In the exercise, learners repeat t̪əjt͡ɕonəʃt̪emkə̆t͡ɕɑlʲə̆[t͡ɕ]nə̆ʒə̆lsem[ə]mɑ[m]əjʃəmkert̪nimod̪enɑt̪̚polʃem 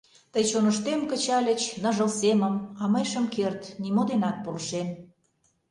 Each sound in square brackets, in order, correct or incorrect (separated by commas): correct, correct, correct